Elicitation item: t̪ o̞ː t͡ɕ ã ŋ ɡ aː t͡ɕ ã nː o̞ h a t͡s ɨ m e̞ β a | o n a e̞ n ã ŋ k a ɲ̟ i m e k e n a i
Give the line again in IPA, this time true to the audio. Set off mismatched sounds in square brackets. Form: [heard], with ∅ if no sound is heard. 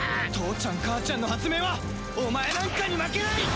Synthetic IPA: t̪ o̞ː t͡ɕ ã ŋ [k] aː t͡ɕ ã nː o̞ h a t͡s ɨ m e̞ β a | o [m] a e̞ n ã ŋ k a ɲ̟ i m [a] k e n a i

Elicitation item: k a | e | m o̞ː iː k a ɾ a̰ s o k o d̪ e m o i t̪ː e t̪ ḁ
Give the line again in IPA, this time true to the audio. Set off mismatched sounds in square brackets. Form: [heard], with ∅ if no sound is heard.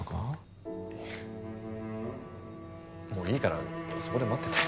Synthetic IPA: k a | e | m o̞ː iː k a ɾ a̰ s o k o d̪ e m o [a] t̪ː e t̪ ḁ

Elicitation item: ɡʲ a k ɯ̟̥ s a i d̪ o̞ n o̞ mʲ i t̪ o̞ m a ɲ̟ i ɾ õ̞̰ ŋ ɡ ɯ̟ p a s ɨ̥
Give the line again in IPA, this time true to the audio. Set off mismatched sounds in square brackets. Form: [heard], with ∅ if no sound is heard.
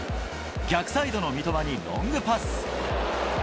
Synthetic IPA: ɡʲ a k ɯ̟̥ s a i d̪ o̞ n o̞ mʲ i t̪ o̞ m a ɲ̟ i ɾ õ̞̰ ŋ ɡ ɯ̟ p a s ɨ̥

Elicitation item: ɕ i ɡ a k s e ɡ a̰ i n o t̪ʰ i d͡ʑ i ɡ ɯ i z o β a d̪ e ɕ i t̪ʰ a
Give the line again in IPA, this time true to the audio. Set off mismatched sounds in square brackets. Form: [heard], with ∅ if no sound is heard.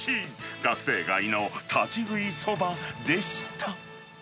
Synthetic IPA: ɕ i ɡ a k s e ɡ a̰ i n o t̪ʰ [a] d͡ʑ i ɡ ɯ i [s] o [b] a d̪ e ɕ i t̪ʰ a

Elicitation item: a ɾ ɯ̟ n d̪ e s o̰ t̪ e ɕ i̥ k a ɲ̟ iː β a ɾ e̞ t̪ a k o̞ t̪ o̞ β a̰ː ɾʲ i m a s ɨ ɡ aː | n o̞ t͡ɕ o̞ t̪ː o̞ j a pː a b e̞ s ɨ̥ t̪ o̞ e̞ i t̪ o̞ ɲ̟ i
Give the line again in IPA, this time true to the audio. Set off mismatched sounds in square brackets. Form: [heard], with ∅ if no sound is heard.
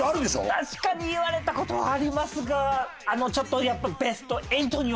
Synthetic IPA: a ɾ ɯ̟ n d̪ e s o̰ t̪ [a] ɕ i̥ k a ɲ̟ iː β a ɾ e̞ t̪ a k o̞ t̪ o̞ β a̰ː ɾʲ i m a s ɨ ɡ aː | n o̞ t͡ɕ o̞ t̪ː o̞ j a pː a b e̞ s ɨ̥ t̪ o̞ e̞ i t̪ o̞ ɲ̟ i

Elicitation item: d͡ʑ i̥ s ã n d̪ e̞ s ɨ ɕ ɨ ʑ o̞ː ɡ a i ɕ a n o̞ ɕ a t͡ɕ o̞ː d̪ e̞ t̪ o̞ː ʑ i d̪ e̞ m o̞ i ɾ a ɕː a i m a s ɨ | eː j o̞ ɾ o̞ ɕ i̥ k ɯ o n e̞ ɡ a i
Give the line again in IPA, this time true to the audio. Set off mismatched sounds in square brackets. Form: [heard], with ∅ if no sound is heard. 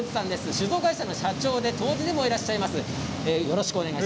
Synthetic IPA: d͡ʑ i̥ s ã n d̪ e̞ s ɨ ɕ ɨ [z] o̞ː ɡ a i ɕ a n o̞ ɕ a t͡ɕ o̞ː d̪ e̞ t̪ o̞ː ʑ i d̪ e̞ m o̞ i ɾ a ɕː a i m a s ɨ | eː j o̞ ɾ o̞ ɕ i̥ k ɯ o n e̞ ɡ a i

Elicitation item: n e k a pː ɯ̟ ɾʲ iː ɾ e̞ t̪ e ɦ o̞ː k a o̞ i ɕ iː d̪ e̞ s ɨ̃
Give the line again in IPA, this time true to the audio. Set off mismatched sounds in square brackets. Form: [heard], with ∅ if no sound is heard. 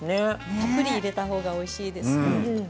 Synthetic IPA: n e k a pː ɯ̟ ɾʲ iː ɾ e̞ t̪ [a] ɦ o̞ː [ɡ] a o̞ i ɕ iː d̪ e̞ s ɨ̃

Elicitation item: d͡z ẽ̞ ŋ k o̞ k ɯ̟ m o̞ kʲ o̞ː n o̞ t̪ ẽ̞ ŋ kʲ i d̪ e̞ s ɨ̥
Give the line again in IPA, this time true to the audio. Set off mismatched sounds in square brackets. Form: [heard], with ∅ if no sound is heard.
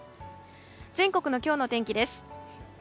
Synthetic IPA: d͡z ẽ̞ ŋ k o̞ k ɯ̟ [n] o̞ kʲ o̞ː n o̞ t̪ ẽ̞ ŋ kʲ i d̪ e̞ s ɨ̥

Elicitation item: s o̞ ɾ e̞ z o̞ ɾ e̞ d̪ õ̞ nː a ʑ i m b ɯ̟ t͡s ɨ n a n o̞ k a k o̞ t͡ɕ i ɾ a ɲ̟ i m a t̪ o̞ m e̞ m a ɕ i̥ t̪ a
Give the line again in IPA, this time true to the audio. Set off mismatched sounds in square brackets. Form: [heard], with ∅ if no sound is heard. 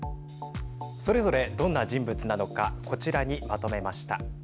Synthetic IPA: s o̞ ɾ e̞ z o̞ ɾ e̞ d̪ õ̞ nː a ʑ [ĩ] m b ɯ̟ t͡s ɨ n a n o̞ k a k o̞ t͡ɕ i ɾ a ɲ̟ i m a t̪ o̞ m e̞ m a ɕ i̥ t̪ a

